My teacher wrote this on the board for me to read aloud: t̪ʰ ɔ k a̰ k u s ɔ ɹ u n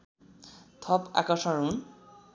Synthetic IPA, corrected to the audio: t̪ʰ ɔ p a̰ k ɔ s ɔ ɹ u n